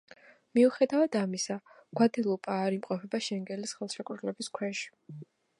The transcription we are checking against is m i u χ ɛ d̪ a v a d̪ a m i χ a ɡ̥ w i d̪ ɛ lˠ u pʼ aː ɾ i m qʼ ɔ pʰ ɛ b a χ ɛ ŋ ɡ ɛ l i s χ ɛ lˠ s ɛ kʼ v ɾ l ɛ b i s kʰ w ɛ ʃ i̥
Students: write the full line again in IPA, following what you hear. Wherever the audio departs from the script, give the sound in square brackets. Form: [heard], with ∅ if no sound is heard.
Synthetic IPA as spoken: m i u χ ɛ d̪ a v a d̪ a m i [s] a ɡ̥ w [a] d̪ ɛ lˠ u pʼ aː ɾ i m qʼ ɔ pʰ ɛ b a [ʃ] ɛ ŋ ɡ ɛ l i s χ ɛ lˠ [ʃ] ɛ kʼ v ɾ l ɛ b i s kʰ w ɛ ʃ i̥